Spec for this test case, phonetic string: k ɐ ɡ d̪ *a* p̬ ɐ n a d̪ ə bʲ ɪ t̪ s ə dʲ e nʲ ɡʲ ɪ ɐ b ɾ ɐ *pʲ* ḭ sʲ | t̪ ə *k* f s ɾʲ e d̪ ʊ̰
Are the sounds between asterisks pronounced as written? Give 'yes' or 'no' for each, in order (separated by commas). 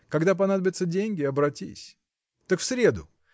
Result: yes, no, yes